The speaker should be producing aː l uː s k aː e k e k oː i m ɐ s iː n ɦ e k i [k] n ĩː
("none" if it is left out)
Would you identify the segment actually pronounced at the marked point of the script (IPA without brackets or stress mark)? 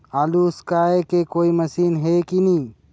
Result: none